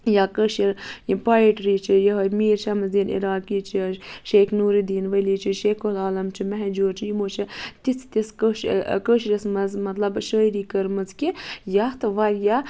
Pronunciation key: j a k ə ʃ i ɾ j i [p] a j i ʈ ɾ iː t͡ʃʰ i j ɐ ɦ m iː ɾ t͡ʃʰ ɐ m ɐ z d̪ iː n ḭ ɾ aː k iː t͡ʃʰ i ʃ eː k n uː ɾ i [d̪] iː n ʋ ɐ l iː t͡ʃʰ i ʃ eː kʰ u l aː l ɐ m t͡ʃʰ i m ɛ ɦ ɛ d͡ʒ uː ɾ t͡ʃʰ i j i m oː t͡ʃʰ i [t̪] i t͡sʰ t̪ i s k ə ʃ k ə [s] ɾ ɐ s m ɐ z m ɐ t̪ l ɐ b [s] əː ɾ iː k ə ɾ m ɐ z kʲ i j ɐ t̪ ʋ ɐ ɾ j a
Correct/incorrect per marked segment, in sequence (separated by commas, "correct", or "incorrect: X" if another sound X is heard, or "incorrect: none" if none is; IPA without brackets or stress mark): correct, correct, correct, incorrect: ʃ, incorrect: ʃ